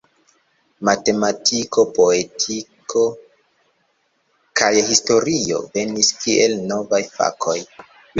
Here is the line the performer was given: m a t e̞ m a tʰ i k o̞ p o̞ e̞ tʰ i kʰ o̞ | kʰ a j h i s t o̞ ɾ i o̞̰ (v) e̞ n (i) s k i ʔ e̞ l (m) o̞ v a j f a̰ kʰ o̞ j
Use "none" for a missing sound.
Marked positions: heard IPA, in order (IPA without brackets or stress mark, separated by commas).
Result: v, i, n